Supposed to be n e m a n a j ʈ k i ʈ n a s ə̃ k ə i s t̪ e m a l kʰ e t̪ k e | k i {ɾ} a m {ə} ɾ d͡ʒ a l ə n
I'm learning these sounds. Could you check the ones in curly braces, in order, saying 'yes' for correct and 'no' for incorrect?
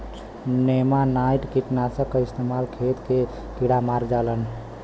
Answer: no, no

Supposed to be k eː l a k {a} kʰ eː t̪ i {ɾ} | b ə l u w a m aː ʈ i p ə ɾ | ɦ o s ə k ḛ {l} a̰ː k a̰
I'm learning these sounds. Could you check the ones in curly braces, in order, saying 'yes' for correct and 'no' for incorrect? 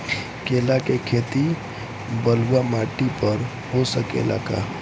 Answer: no, no, yes

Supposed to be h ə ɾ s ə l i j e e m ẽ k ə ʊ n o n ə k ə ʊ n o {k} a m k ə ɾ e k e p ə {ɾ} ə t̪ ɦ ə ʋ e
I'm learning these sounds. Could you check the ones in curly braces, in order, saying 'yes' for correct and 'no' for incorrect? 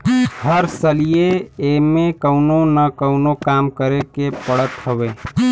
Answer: yes, no

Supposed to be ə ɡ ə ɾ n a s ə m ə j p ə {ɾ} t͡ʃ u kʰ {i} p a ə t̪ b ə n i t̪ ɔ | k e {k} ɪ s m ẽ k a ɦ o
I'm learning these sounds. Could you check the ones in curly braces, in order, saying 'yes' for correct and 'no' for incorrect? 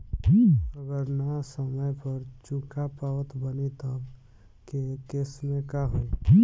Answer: yes, no, yes

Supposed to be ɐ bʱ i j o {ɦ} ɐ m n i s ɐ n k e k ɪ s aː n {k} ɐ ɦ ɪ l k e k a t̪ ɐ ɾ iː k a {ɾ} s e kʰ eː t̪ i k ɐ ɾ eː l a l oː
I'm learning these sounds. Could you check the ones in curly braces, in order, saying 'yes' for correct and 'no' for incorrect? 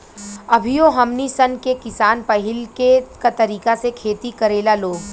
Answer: yes, no, no

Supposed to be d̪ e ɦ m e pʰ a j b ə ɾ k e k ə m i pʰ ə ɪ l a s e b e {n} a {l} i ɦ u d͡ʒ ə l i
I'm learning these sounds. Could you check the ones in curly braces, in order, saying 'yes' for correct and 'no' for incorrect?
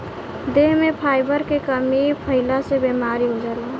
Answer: no, no

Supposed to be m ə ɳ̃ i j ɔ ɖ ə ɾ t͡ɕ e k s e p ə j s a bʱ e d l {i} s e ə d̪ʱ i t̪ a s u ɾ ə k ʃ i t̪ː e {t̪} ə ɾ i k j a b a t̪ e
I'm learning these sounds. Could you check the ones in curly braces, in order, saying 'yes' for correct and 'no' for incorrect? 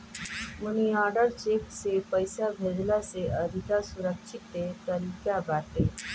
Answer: no, yes

